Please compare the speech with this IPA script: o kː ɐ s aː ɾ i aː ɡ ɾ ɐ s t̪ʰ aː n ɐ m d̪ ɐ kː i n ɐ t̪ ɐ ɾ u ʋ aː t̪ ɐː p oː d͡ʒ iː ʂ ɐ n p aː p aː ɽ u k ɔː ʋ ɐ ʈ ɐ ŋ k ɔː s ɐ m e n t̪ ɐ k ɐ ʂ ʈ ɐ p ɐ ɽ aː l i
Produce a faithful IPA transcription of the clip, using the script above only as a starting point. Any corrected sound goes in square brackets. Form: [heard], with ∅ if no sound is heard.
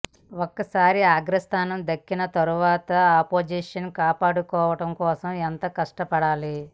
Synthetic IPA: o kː ɐ s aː ɾ i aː ɡ ɾ ɐ s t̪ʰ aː n ɐ m d̪ ɐ kː i n ɐ t̪ ɐ ɾ u ʋ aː t̪ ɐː p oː d͡ʒ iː ʂ ɐ n [k] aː p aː ɽ u k ɔː ʋ ɐ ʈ ɐ [m] k ɔː s ɐ m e n t̪ ɐ k ɐ ʂ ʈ ɐ p ɐ ɽ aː l i

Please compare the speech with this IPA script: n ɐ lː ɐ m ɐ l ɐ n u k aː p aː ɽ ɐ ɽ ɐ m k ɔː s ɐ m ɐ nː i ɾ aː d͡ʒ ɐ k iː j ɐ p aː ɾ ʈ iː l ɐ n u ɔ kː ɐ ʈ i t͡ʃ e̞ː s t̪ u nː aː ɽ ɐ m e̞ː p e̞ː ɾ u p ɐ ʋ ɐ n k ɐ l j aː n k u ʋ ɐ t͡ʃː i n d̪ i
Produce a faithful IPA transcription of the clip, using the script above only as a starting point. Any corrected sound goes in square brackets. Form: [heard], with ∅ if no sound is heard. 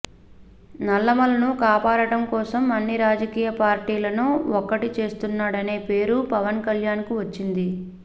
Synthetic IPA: n ɐ lː ɐ m ɐ l ɐ n u k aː p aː ɽ ɐ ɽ ɐ m k ɔː s ɐ m ɐ nː i ɾ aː d͡ʒ ɐ k iː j ɐ p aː ɾ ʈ iː l ɐ n u ɔ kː ɐ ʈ i t͡ʃ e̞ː s t̪ u nː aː ɽ ɐ [n] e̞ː p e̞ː ɾ u p ɐ ʋ ɐ n k ɐ l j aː n k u ʋ ɐ t͡ʃː i n d̪ i

